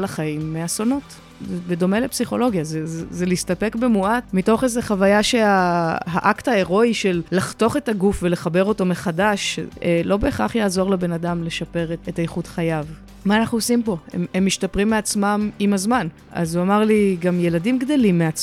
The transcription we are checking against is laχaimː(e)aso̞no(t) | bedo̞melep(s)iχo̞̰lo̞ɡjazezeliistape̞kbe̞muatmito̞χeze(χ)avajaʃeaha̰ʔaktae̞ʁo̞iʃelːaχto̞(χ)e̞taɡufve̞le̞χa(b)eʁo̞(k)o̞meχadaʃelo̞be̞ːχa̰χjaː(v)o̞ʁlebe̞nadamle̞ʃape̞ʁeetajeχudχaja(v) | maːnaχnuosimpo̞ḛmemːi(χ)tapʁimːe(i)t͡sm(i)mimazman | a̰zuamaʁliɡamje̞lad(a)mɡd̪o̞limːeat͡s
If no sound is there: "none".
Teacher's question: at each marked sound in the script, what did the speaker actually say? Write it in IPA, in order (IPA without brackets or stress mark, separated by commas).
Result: e, t, s, χ, χ, b, t, z, v, ʃ, a, a, i